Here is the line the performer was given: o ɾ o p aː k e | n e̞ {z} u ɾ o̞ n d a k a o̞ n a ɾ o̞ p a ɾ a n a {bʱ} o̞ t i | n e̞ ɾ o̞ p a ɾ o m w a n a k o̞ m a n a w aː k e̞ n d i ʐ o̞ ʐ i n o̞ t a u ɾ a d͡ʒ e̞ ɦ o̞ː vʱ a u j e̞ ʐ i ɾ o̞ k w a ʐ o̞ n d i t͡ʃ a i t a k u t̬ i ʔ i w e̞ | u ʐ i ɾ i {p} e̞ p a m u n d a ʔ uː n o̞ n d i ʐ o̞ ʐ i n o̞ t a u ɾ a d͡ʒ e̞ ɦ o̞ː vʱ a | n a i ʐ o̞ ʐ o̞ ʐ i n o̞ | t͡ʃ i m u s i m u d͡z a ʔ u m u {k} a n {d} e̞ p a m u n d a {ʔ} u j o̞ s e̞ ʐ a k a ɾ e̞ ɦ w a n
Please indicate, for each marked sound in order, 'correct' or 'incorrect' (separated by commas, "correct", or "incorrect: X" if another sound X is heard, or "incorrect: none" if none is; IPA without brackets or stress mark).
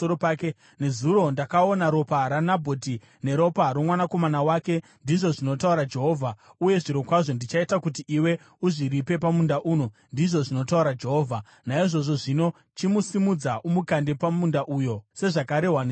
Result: correct, correct, correct, correct, correct, correct